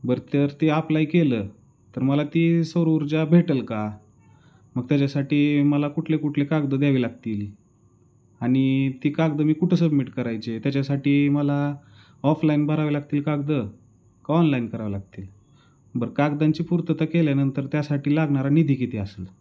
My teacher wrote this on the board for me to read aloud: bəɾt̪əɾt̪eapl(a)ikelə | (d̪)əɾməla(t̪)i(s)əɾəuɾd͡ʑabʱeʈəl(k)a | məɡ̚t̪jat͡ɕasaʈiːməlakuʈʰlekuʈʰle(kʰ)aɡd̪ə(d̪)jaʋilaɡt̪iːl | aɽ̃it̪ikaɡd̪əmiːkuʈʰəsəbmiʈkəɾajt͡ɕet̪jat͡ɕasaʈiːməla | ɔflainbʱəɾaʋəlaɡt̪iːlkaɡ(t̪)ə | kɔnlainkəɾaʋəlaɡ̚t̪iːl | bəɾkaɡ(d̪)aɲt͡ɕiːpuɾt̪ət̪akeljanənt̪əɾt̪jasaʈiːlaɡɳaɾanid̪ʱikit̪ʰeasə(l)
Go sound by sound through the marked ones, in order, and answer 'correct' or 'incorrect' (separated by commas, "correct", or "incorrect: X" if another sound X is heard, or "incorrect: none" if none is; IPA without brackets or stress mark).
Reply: correct, incorrect: t̪, correct, correct, correct, incorrect: k, correct, incorrect: d̪, correct, correct